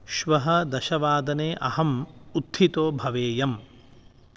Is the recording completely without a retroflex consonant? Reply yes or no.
yes